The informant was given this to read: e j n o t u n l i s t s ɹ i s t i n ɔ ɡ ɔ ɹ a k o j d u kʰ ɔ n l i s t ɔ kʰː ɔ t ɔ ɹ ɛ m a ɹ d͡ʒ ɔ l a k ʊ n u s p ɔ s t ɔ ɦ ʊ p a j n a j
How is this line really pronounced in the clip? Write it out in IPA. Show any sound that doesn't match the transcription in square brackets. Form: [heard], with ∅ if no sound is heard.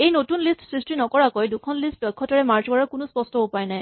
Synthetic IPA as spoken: e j n o t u n l i s t s ɹ i s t i n ɔ [k] ɔ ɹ a k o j d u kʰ ɔ n l i s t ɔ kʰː ɔ t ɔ ɹ ɛ m a ɹ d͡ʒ ɔ [ɹ] a k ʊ n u s p ɔ s t ɔ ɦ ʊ p a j n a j